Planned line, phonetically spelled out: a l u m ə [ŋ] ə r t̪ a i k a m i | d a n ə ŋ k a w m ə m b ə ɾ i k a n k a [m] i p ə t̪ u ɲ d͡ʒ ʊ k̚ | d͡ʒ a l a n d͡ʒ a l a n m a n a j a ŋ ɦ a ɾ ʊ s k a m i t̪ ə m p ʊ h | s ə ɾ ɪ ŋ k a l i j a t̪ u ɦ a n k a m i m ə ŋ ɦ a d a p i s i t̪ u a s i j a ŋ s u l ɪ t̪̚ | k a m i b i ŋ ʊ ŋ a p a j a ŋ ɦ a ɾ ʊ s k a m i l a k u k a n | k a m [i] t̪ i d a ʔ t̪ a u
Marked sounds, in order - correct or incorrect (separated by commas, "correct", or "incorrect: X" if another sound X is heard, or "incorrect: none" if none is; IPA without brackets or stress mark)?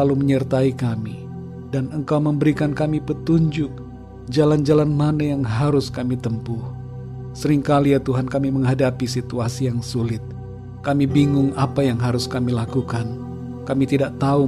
incorrect: ɲ, correct, correct